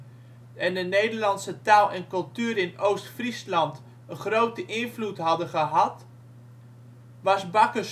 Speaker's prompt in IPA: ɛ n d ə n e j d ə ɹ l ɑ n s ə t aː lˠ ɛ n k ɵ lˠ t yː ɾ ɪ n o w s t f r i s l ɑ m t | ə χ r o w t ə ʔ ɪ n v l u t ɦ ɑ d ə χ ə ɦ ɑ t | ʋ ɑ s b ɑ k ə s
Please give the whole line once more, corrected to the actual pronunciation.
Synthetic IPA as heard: ɛ n d ə n e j d ə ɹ l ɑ n s ə t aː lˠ ɛ n k ɵ lˠ t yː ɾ ɪ n o w s t f r i s l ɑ n t | ə χ r o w t ə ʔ ɪ n v l u t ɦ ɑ d ə χ ə ɦ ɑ t | ʋ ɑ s b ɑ k ə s